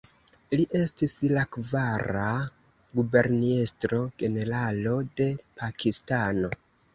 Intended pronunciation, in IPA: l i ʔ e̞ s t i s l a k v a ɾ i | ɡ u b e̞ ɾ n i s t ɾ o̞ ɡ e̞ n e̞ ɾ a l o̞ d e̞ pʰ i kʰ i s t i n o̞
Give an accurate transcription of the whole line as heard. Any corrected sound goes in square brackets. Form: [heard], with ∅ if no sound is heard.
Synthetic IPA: l i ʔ e̞ s t i s l a k v a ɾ [a] | ɡ u b e̞ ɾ n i s t ɾ o̞ ɡ e̞ n e̞ ɾ a l o̞ d e̞ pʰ [a] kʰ i s t [a] n o̞

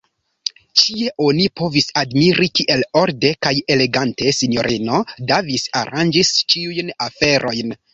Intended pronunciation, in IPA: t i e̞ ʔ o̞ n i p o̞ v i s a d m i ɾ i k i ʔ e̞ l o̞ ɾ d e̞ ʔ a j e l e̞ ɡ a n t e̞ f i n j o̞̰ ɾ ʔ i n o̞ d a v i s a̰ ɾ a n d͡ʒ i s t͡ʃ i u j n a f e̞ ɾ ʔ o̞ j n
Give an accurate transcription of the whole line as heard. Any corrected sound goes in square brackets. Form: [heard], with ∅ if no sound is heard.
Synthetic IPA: [t͡ʃ] i e̞ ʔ o̞ n i p o̞ v i s a d m i ɾ i k i ʔ e̞ l o̞ ɾ d e̞ [k] a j e l e̞ ɡ a n t e̞ [s] i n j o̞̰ ɾ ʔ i n o̞ d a v i s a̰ ɾ a n d͡ʒ i s t͡ʃ i u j n a f e̞ ɾ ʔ o̞ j n

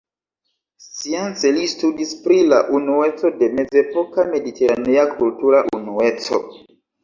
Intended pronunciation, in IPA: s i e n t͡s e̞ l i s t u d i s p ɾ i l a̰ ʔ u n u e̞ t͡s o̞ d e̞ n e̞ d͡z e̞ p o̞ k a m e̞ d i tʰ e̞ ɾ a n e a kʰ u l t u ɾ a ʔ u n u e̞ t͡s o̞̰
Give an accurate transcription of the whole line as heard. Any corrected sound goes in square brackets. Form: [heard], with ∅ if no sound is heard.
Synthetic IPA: s i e n t͡s e̞ l i s t u d i s p ɾ i l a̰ ʔ u n u e̞ t͡s o̞ d e̞ [m] e̞ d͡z e̞ p o̞ k a m e̞ d i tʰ e̞ ɾ a n e a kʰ u l t u ɾ a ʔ u n u e̞ t͡s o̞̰

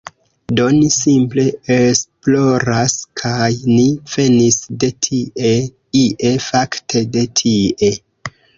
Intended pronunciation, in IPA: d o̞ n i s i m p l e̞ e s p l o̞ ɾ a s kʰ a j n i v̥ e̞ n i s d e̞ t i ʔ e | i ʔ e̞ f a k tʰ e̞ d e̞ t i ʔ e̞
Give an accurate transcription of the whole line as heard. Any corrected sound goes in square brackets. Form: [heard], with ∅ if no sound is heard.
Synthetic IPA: d o̞ n i s i m p l e̞ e s p l o̞ ɾ a s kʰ a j n i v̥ e̞ n i s d e̞ [tʰ] i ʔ e | i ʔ e̞ f a k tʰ e̞ d e̞ [tʰ] i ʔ e̞

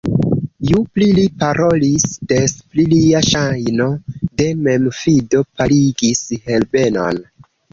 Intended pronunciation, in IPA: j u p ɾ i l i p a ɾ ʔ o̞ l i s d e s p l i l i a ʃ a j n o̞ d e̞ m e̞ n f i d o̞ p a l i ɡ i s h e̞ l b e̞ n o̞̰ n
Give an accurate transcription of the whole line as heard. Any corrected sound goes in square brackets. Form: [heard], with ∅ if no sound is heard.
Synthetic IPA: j u p [l] i l i p a ɾ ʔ o̞ l i s d e s p l i l i a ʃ a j n o̞ d e̞ m e̞ [m] f i d o̞ p a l i ɡ i s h e̞ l b e̞ n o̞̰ n

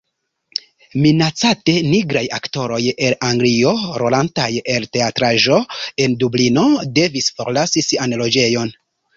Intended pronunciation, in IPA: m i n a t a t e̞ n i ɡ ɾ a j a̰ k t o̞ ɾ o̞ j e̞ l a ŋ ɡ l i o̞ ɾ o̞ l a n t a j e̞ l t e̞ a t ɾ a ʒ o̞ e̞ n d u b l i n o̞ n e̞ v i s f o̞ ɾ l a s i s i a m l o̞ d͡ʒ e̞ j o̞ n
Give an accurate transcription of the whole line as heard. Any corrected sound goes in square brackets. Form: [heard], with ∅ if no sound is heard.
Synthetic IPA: m i n a [t͡s] a t e̞ n i ɡ ɾ a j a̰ k t o̞ ɾ o̞ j e̞ l a ŋ ɡ l i o̞ ɾ o̞ l a n t a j e̞ l t e̞ a t ɾ a ʒ o̞ e̞ n d u b l i n o̞ [d] e̞ v i s f o̞ ɾ l a s i s i a [n] l o̞ d͡ʒ e̞ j o̞ n

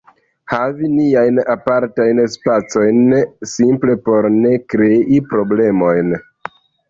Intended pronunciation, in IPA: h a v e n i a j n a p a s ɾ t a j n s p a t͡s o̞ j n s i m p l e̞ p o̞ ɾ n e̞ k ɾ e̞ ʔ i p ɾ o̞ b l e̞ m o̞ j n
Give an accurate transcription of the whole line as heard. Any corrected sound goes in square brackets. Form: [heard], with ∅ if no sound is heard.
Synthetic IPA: h a v [i] n i a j n a p a [∅] ɾ t a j n s p a t͡s o̞ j n s i m p l e̞ p o̞ ɾ n e̞ k ɾ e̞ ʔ i p ɾ o̞ b l e̞ m o̞ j n

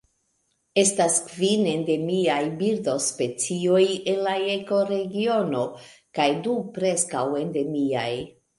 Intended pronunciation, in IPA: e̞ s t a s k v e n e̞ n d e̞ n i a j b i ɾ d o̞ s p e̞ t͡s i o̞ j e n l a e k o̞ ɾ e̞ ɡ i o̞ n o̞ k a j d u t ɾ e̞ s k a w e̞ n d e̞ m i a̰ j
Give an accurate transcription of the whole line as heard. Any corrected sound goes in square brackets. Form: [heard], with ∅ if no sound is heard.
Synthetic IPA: e̞ s t a s k v [i] n e̞ n d e̞ [m] i a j b i ɾ d o̞ s p e̞ t͡s i o̞ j e n l a e k o̞ ɾ e̞ ɡ i o̞ n o̞ k a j d u [p] ɾ e̞ s k a w e̞ n d e̞ m i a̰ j

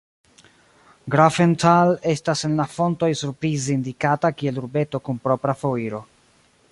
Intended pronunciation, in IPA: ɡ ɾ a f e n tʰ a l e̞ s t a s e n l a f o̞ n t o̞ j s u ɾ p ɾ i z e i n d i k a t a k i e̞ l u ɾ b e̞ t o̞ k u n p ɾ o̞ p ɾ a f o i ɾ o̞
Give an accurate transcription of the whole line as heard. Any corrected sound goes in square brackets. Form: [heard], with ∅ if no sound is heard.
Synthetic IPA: ɡ ɾ a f e n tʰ a l e̞ s t a s e n l a f o̞ n t o̞ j s u ɾ p ɾ i z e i n d i k a t a k i e̞ l u ɾ b e̞ t o̞ k u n p ɾ o̞ p ɾ a f o i ɾ o̞

